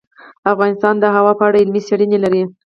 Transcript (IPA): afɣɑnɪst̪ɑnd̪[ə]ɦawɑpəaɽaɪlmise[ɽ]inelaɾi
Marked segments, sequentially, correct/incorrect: correct, correct

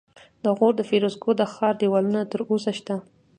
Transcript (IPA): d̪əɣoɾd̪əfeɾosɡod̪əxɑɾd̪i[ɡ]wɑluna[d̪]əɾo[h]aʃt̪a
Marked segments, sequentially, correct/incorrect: incorrect, incorrect, incorrect

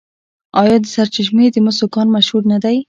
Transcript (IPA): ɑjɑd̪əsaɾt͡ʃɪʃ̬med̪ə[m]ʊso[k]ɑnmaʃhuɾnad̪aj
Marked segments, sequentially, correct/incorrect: correct, correct

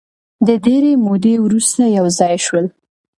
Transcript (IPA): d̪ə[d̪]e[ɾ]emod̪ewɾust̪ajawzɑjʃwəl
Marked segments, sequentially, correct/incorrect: correct, correct

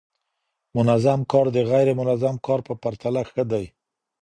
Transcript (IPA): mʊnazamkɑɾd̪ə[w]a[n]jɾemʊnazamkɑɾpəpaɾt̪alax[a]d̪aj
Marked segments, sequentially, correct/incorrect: incorrect, incorrect, incorrect

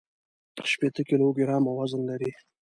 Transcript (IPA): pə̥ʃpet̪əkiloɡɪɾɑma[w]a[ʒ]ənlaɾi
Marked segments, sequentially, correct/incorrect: correct, incorrect

